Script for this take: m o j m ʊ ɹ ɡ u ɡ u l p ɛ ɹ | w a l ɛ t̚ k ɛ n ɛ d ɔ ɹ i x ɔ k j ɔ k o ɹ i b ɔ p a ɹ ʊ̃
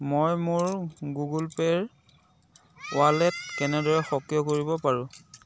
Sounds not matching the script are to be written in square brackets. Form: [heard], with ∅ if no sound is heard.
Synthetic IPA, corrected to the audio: m o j m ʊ ɹ ɡ u ɡ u l p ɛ ɹ | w a l ɛ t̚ k ɛ n ɛ d ɔ ɹ [ɛ] x ɔ k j ɔ k o ɹ i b ɔ p a ɹ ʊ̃

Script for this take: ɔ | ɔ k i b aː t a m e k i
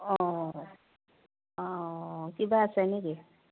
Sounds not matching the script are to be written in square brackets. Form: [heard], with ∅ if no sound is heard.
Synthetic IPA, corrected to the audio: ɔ | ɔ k i b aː [s] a [n] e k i

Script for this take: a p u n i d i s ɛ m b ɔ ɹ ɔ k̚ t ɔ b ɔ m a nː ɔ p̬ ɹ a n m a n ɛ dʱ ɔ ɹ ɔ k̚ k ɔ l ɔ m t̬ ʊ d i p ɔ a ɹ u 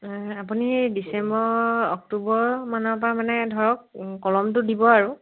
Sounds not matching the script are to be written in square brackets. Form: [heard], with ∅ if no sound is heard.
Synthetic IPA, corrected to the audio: a p u n i d i s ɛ m b ɔ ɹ ɔ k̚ t [u] b ɔ m a [n] ɔ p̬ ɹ a [∅] m a n ɛ dʱ ɔ ɹ ɔ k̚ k ɔ l ɔ m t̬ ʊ d i [b] ɔ a ɹ u

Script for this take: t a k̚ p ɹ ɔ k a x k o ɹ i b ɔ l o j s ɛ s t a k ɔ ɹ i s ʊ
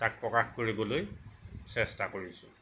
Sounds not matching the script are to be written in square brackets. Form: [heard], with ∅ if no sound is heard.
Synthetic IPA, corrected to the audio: t a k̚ p ɹ ɔ k a x k o ɹ i b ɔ l o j s ɛ s t a k [o] ɹ i s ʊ

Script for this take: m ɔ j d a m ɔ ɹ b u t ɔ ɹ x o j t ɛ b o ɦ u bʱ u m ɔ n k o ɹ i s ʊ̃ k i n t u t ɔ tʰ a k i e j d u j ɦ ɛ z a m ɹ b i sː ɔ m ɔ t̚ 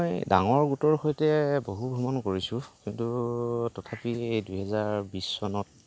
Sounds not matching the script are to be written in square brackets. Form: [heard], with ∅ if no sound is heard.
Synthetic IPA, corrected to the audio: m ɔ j d a [ŋ] ɔ ɹ [ɡ] u t ɔ ɹ x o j t ɛ b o ɦ u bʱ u m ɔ n k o ɹ i s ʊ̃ k i n t u t ɔ tʰ a [p] i e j d u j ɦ ɛ z a [∅] ɹ b i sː ɔ [n] ɔ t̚

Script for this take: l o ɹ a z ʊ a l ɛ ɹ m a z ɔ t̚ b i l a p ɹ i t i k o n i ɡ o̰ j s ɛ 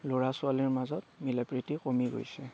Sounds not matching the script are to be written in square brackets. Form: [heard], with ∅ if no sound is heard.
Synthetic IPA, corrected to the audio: l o ɹ a [s] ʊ a l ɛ ɹ m a z ɔ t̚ [m] i l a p ɹ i t i k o [m] i ɡ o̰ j s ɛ

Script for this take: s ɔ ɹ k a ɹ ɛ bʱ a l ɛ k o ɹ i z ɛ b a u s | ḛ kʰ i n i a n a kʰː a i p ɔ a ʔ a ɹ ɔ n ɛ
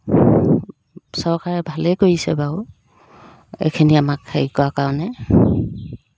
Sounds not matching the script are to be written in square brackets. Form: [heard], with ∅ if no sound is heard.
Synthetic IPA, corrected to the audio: s ɔ ɹ k a ɹ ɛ bʱ a l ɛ k o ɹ i [s] ɛ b a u [∅] | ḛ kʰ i n i a [m] a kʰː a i [k] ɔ a [k] a ɹ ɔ n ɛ

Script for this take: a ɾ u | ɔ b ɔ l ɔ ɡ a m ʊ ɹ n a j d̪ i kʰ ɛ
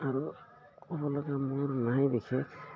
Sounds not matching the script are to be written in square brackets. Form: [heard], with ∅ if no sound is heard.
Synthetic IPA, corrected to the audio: a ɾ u | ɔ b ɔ l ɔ ɡ a m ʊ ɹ n a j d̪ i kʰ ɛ

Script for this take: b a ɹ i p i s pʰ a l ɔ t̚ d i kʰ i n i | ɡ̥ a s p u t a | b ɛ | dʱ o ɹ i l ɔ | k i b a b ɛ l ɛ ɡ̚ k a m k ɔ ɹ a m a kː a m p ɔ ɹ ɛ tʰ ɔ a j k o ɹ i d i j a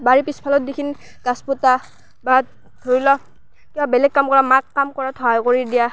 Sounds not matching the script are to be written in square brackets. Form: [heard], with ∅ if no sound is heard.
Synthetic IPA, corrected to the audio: b a ɹ i p i s pʰ a l ɔ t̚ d i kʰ i n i | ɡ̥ a s p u t a | b [a] | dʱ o ɹ i l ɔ | k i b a b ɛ l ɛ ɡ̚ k a m k ɔ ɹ a m a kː a m [k] ɔ ɹ [a] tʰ ɔ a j k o ɹ i d i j a

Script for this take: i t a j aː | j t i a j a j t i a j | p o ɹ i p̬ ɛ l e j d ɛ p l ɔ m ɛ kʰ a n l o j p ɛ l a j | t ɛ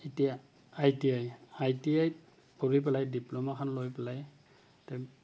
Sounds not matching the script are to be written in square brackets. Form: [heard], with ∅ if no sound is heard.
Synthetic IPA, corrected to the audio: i t [i] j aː | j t i a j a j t i a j | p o ɹ i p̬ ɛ l [a] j d [i] p l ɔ m [a] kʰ a n l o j p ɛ l a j | t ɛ

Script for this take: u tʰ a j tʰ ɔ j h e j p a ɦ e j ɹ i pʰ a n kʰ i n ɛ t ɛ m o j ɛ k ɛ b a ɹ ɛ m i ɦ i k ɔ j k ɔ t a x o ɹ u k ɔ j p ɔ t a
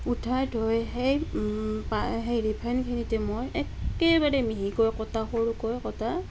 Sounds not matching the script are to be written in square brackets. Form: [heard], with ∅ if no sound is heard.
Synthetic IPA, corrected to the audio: u tʰ a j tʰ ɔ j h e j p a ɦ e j ɹ i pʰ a n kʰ i n [i] t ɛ m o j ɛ k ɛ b a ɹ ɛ m i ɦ i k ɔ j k ɔ t a x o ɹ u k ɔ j [k] ɔ t a

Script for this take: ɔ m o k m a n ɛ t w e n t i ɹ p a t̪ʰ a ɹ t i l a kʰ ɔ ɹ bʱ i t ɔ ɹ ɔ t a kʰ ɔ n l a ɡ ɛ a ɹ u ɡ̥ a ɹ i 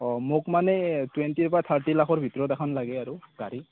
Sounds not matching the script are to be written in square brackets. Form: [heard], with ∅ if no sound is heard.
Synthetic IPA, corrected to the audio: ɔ m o k m a n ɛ t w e n t i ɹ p a t̪ʰ a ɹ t i l a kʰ ɔ ɹ bʱ i t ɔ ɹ ɔ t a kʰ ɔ n l a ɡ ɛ a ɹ u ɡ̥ a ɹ i

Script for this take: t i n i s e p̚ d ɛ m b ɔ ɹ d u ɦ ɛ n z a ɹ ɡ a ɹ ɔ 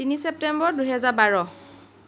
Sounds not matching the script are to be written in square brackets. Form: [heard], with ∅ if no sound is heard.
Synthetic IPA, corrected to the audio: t i n i s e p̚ [t] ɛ m b ɔ ɹ d u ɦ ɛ [∅] z a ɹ [b] a ɹ ɔ

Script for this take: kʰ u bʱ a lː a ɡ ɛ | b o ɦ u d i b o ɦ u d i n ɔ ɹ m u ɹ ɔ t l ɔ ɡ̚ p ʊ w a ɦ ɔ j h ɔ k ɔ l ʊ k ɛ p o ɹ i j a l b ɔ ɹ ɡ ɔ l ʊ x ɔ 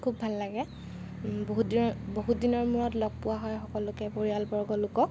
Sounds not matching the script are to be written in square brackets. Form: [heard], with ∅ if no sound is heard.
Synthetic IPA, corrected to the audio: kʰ u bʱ a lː a ɡ ɛ | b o ɦ u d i b o ɦ u d i n ɔ ɹ m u ɹ ɔ t l ɔ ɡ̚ p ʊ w a ɦ ɔ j [x] ɔ k ɔ l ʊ k ɛ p o ɹ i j a l b ɔ ɹ ɡ ɔ l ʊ [k] ɔ

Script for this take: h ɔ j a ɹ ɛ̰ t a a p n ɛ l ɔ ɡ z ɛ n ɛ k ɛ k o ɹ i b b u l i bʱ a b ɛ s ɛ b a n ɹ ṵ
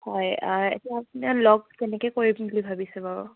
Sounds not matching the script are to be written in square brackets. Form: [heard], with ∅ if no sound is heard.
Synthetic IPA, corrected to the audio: h ɔ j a ɹ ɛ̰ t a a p n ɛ l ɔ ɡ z ɛ n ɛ k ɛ k o ɹ i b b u l i bʱ a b [i] s ɛ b a [∅] ɹ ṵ

